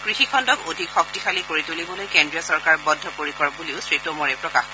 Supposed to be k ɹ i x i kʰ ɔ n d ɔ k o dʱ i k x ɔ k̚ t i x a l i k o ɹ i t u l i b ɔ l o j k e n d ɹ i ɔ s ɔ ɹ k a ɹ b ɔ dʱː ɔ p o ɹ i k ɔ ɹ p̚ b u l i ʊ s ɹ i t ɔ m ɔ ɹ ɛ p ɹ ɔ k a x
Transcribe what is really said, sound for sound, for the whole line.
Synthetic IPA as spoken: k ɹ i x i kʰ ɔ n d ɔ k o dʱ i k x ɔ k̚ t i x a l i k o ɹ i t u l i b ɔ l o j k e n d ɹ i ɔ s ɔ ɹ k a ɹ b ɔ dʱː ɔ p o ɹ i k ɔ ɹ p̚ b u l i ʊ s ɹ i t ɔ m ɔ ɹ ɛ p ɹ ɔ k a x

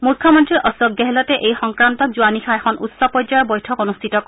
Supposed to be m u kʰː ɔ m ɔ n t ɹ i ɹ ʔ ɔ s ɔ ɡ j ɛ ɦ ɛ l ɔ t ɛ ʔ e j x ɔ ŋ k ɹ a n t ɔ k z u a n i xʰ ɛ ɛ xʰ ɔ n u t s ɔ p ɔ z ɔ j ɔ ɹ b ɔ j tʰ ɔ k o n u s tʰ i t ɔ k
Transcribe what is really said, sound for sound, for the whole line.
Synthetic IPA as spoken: m u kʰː ɔ m ɔ n t ɹ i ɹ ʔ ɔ s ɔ ɡ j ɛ ɦ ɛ l ɔ t ɛ ʔ e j x ɔ ŋ k ɹ a n t ɔ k z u a n i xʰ a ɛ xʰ ɔ n u t s ɔ p ɔ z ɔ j ɔ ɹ b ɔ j tʰ ɔ k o n u s tʰ i t ɔ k

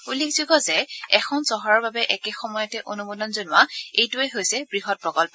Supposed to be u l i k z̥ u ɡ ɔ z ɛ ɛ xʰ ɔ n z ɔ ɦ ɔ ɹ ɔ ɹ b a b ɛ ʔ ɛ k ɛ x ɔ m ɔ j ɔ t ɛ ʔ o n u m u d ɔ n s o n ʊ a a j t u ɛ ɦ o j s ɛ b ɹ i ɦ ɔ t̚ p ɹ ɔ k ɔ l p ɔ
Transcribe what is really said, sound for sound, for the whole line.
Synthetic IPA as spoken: u l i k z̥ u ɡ ɔ z ɛ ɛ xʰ ɔ n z ɔ ɦ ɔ ɹ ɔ ɹ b a b ɛ ʔ ɛ k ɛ x ɔ m ɔ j ɔ t ɛ ʔ o n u m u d ɔ n z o n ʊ a e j t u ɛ ɦ o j s ɛ b ɹ i ɦ ɔ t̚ p ɹ ɔ k ɔ l p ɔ

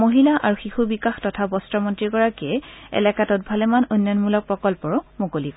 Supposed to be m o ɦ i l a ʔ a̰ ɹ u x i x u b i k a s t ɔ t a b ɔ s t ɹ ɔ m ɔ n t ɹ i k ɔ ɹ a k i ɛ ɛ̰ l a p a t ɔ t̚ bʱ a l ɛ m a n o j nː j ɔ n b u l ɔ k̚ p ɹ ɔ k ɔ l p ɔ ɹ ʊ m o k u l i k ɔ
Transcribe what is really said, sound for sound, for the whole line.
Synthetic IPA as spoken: m o ɦ i l a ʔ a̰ ɹ u x i x u b i k a x t ɔ tʰ a b ɔ s t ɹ ɔ m ɔ n t ɹ i k ɔ ɹ a k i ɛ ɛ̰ l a k a t ɔ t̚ bʱ a l ɛ m a n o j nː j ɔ n m u l ɔ k̚ p ɹ ɔ k ɔ l p ɔ ɹ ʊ m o k o l i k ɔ

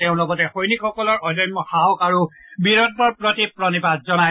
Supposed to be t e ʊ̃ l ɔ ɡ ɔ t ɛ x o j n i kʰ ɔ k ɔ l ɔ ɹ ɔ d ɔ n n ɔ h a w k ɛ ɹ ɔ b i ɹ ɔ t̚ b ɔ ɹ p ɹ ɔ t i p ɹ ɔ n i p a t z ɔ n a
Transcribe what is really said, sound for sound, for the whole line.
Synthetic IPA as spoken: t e ʊ̃ l ɔ ɡ ɔ t ɛ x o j n i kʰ ɔ k ɔ l ɔ ɹ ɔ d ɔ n m ɔ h a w k a ɹ u b i ɹ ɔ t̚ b ɔ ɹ p ɹ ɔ t i p ɹ ɔ n i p a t z ɔ n a

